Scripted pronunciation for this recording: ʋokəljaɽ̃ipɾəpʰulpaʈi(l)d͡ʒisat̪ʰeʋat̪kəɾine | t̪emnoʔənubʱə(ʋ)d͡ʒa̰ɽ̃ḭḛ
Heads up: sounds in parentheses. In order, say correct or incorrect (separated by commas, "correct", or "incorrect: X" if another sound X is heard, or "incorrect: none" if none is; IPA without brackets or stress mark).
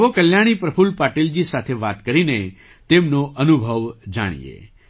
correct, correct